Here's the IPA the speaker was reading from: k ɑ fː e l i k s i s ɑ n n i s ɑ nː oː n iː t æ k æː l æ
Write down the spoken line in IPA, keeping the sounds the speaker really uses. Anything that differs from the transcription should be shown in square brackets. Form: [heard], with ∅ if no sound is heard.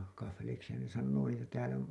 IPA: k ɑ fː e l i k s i [h] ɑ n n [e] s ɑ nː oː n iː t æ [t] æː l æ